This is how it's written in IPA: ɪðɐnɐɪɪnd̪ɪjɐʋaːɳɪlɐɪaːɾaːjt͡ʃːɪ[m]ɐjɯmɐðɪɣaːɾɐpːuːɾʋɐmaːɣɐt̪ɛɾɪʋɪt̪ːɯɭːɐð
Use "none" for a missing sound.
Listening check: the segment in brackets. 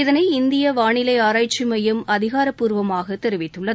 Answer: m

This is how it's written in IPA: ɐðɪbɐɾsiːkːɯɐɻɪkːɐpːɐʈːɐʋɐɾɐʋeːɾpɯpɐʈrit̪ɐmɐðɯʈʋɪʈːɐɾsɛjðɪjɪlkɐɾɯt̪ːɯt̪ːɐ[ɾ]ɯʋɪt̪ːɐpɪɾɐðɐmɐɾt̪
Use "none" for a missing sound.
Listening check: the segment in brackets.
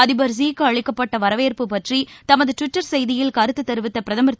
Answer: ɾ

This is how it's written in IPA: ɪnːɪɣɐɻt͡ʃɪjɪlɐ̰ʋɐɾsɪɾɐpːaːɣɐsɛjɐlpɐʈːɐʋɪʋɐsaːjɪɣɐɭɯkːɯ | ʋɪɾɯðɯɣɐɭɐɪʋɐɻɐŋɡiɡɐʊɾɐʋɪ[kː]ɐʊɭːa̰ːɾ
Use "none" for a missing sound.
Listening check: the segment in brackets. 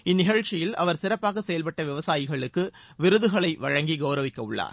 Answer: kː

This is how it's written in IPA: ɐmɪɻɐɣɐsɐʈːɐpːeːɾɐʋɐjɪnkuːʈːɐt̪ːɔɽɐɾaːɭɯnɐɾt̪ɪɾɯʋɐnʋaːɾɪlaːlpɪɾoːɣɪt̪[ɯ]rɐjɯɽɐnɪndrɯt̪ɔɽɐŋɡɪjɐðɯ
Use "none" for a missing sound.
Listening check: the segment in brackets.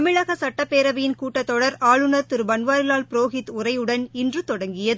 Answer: ʊ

